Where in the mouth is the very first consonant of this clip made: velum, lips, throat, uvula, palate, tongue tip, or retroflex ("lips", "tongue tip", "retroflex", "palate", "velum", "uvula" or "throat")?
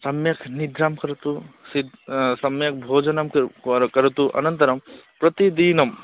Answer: tongue tip